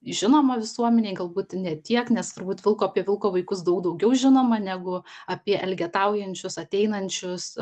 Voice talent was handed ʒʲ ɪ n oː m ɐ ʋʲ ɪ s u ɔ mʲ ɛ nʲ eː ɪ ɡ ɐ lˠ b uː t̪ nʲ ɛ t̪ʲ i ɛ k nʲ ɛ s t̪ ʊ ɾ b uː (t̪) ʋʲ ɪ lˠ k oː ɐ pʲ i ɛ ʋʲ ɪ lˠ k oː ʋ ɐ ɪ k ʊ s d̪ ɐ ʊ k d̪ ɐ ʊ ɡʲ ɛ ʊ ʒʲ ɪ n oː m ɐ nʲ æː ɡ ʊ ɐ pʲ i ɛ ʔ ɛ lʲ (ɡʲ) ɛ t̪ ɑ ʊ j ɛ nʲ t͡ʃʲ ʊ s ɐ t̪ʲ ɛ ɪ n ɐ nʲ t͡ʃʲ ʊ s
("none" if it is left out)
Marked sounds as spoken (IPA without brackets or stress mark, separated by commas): t̪, ɡʲ